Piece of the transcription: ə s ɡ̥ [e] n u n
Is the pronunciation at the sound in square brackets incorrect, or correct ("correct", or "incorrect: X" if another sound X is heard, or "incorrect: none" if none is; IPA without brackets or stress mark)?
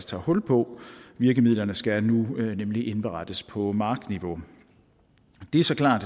incorrect: æ